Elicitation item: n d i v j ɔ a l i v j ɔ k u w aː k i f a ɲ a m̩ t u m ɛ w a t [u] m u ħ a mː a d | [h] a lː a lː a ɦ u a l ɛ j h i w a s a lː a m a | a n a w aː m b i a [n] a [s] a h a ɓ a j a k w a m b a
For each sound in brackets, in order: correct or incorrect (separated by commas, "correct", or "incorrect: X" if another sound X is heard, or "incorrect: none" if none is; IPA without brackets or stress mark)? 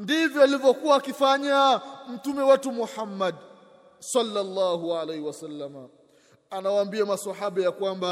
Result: correct, incorrect: s, incorrect: m, correct